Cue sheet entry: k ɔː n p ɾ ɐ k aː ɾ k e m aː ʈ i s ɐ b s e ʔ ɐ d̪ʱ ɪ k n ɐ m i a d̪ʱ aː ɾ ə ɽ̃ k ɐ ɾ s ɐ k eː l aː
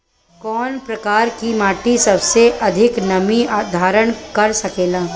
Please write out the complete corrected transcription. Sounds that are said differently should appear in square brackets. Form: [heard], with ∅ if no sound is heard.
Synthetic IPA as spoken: k ɔː n p ɾ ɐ k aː ɾ k [i] m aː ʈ i s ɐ b s e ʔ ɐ d̪ʱ ɪ k n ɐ m i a d̪ʱ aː ɾ ə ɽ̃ k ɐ ɾ s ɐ k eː l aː